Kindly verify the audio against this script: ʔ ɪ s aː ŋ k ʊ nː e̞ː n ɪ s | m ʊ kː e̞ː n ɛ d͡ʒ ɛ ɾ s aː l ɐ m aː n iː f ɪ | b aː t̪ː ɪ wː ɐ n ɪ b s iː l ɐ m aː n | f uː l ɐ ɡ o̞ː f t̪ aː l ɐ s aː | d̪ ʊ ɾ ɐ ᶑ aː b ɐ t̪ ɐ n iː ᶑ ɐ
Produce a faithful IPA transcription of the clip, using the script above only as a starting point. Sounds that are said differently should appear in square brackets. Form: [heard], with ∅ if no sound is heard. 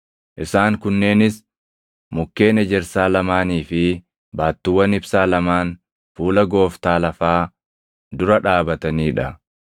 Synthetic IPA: ʔ ɪ s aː ŋ k ʊ nː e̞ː n ɪ s | m ʊ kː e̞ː n ɛ d͡ʒ ɛ ɾ s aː l ɐ m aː n iː f ɪ | b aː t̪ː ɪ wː ɐ n ɪ b s [aː] l ɐ m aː n | f uː l ɐ ɡ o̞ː f t̪ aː l ɐ [f] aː | d̪ ʊ ɾ ɐ ᶑ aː b ɐ t̪ ɐ n iː ᶑ ɐ